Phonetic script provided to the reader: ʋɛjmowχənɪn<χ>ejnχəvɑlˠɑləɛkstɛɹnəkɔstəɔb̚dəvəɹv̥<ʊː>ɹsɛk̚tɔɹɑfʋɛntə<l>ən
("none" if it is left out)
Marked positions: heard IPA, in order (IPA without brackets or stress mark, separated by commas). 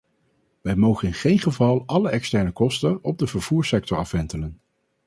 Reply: χ, uː, l